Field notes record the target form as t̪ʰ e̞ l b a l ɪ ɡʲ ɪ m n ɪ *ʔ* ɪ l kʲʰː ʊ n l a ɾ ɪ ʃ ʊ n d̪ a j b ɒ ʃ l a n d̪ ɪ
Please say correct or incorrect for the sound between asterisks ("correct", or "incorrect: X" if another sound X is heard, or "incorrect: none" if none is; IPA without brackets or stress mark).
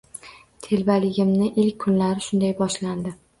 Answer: correct